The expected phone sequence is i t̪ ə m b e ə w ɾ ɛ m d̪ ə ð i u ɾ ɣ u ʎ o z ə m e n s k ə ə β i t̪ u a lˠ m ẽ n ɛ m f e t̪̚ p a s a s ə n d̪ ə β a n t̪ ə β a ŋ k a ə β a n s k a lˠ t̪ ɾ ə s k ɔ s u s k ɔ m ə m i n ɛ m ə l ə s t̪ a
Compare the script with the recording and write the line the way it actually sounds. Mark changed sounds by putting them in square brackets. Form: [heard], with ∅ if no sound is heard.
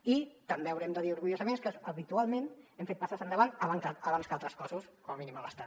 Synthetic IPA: i t̪ ə m b e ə w ɾ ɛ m d̪ ə ð i u ɾ ɣ u ʎ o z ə m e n s k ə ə β i t̪ u a lˠ m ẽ n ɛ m f e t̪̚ p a s a s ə n d̪ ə β a n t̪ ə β a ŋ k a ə β a n s k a lˠ t̪ ɾ ə s k ɔ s u s k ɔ m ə m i n [i] m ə l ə s t̪ a